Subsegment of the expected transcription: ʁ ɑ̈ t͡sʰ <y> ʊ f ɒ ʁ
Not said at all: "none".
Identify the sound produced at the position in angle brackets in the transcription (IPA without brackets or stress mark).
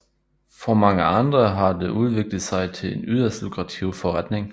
i